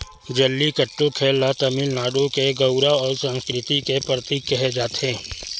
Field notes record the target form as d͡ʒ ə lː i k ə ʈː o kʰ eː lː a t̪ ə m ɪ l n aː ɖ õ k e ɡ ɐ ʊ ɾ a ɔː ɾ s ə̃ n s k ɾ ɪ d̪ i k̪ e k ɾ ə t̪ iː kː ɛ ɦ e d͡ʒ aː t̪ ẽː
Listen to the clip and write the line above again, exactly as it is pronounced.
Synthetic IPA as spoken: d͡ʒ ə lː i k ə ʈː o kʰ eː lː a t̪ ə m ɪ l n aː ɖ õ k e ɡ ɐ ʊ ɾ a ɔː ɾ s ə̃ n s k ɾ ɪ t̪ i k̪ e p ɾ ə t̪ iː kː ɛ ɦ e d͡ʒ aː t̪ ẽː